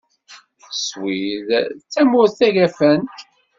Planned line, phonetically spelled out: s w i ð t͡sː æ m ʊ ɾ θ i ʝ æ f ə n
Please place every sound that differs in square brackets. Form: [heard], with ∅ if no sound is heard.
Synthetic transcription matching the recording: s w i ð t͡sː æ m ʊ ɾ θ [æ] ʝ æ f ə n